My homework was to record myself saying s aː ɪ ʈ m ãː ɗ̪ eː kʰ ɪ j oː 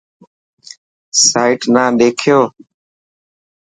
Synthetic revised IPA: s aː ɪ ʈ n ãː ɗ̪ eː kʰ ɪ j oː